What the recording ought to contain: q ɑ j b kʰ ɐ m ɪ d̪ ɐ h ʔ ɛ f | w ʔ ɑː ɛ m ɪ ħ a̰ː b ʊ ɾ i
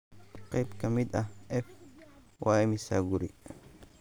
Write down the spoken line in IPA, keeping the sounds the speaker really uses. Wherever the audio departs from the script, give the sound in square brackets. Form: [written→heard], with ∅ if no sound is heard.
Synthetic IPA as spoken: q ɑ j b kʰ ɐ m ɪ d̪ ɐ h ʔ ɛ f | w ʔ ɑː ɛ m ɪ [ħ→s] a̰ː [b→ɡ] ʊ ɾ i

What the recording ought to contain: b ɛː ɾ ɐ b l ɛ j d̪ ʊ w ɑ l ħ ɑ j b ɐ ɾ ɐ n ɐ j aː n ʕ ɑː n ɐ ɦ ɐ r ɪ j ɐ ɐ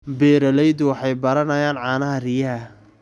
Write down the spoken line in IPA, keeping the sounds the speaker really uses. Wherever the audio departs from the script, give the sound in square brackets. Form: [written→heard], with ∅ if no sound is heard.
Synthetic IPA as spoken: b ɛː ɾ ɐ [b→∅] l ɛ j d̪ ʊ w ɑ [l→∅] ħ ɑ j b ɐ ɾ ɐ n ɐ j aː n ʕ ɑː n ɐ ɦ ɐ r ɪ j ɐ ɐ

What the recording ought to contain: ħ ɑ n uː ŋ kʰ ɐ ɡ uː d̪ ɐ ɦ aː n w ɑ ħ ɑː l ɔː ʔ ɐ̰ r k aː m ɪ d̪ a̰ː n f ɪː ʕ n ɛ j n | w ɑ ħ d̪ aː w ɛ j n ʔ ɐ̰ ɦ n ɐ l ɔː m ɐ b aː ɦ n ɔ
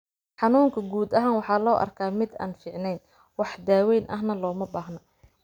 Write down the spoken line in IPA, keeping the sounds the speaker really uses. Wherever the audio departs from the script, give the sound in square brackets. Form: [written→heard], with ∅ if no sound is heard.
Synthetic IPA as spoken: ħ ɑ n uː ŋ kʰ ɐ ɡ uː d̪ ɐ ɦ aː n w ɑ ħ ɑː l ɔː ʔ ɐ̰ r [k→kʰ] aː m ɪ d̪ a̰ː n f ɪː ʕ n ɛ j n | w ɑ ħ d̪ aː w ɛ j n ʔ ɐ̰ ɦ n ɐ l ɔː m ɐ b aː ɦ n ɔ

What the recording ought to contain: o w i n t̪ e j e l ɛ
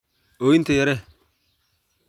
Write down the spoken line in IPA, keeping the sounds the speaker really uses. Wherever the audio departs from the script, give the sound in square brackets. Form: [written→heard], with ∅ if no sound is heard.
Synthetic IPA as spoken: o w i n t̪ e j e [l→ɾ] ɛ

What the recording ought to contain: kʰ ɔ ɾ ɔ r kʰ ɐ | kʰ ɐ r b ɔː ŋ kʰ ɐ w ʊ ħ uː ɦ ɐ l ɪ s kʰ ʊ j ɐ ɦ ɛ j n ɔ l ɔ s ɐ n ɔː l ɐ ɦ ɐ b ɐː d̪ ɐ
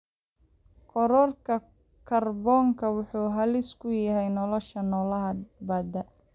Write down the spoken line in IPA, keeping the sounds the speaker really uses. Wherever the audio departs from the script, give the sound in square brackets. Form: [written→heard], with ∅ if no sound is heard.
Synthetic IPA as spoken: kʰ ɔ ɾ ɔ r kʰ ɐ | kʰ ɐ r b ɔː ŋ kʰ ɐ w ʊ ħ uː ɦ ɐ l ɪ s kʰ ʊ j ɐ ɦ ɛ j n ɔ l ɔ [s→ʃ] ɐ n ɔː l ɐ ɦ ɐ b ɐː d̪ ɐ

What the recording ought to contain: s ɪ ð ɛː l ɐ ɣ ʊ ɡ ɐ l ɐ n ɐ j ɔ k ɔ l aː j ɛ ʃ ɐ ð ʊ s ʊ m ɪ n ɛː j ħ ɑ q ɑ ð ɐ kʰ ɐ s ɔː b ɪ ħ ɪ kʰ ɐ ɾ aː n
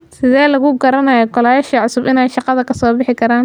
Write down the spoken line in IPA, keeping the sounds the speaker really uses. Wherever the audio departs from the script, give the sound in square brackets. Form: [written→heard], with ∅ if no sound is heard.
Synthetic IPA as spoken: s ɪ ð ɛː l ɐ ɣ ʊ ɡ ɐ [l→ɾ] ɐ n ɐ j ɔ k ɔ l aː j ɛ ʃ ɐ [ð→ʕ] ʊ s ʊ [m→b] ɪ n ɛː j [ħ→ʃ] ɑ q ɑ ð ɐ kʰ ɐ s ɔː b ɪ ħ ɪ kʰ ɐ ɾ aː n

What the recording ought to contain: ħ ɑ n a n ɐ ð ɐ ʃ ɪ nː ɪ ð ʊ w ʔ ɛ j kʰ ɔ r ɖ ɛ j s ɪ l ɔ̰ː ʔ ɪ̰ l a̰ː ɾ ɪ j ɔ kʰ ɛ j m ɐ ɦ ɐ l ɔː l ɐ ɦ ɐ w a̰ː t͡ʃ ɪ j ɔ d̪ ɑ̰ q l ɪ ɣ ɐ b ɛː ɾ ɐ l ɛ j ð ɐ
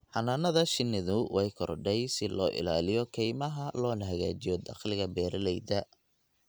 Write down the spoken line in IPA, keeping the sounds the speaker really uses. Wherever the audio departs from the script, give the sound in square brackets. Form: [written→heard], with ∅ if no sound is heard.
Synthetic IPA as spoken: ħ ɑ n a n ɐ ð ɐ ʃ ɪ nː ɪ ð ʊ w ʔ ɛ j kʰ ɔ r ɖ ɛ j s ɪ l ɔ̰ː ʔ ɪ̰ l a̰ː [ɾ→l] ɪ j ɔ kʰ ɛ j m ɐ ɦ ɐ l ɔː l ɐ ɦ ɐ [w→ɣ] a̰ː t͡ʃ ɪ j ɔ d̪ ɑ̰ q l ɪ ɣ ɐ b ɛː ɾ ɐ l ɛ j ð ɐ

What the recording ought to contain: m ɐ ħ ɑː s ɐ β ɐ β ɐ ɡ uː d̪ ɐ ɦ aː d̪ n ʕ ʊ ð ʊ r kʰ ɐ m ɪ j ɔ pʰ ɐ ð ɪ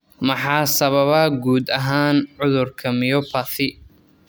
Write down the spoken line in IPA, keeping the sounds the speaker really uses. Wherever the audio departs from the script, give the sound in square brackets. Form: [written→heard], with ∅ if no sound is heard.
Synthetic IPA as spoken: m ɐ ħ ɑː s ɐ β ɐ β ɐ ɡ uː d̪ ɐ ɦ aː [d̪→∅] n ʕ ʊ ð ʊ r kʰ ɐ m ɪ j ɔ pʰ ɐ [ð→θ] ɪ

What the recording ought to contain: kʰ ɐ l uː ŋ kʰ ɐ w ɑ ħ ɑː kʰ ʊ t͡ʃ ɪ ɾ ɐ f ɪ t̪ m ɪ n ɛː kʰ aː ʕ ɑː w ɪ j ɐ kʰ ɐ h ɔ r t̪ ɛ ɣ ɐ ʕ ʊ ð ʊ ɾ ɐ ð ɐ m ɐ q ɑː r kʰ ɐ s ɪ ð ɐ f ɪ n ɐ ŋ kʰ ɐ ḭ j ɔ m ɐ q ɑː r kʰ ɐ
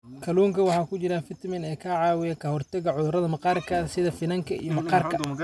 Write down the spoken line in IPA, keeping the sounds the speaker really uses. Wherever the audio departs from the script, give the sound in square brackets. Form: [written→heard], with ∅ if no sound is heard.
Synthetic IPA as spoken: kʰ ɐ l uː ŋ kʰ ɐ w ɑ ħ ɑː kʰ ʊ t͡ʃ ɪ ɾ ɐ f ɪ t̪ m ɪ n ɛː kʰ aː ʕ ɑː w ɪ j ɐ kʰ ɐ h ɔ r t̪ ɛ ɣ ɐ ʕ ʊ ð ʊ ɾ ɐ ð ɐ m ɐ q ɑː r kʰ ɐ s ɪ ð ɐ f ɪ n ɐ ŋ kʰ ɐ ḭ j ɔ m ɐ q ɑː r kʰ ɐ

